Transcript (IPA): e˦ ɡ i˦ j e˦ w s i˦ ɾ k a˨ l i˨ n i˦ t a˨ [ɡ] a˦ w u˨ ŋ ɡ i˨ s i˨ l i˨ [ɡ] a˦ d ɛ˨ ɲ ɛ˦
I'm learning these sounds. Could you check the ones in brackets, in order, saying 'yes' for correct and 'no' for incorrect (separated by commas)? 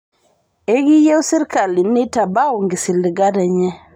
no, yes